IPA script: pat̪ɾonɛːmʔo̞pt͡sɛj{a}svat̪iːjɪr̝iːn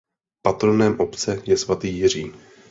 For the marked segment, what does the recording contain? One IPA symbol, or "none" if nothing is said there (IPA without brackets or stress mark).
ɛ